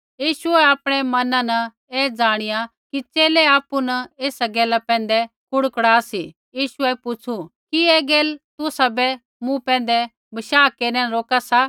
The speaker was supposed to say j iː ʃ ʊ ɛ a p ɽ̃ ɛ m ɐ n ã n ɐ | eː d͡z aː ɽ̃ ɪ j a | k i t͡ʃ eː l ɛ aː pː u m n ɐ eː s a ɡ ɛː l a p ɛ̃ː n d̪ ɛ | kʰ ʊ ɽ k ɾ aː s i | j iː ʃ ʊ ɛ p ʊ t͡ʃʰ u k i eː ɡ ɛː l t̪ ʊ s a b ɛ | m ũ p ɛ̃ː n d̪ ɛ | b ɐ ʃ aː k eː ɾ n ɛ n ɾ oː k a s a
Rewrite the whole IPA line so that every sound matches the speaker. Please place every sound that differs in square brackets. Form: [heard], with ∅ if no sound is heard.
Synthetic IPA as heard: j iː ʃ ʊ ɛ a p ɽ̃ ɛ m ɐ n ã n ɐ | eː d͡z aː ɽ̃ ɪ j a | k i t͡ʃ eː l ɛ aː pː u [∅] n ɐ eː s a ɡ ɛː l a p ɛ̃ː n d̪ ɛ | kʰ ʊ ɽ k [ɽ] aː s i | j iː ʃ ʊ ɛ p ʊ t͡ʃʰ u k i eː ɡ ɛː l t̪ ʊ s a b ɛ | m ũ p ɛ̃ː n d̪ ɛ | b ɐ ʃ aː k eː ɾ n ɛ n ɾ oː k a s a